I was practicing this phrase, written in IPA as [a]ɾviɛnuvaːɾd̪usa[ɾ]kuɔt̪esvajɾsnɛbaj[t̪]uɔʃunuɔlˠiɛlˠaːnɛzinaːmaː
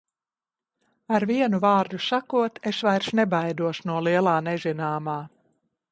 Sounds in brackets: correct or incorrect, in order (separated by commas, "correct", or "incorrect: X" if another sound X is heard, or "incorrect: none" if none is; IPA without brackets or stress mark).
correct, incorrect: none, incorrect: d̪